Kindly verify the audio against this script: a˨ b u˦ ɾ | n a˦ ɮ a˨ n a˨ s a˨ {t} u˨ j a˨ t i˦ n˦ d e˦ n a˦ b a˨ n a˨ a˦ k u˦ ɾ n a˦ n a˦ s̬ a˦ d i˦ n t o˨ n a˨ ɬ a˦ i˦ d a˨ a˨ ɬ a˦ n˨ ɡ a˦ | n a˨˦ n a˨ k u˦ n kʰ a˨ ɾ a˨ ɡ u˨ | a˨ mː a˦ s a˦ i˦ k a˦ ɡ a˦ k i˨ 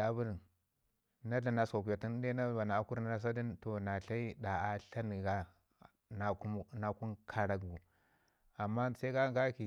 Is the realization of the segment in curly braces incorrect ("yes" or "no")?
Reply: yes